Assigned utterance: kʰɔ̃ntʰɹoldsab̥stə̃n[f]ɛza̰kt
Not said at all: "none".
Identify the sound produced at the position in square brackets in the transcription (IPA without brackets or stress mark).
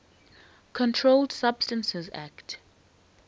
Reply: s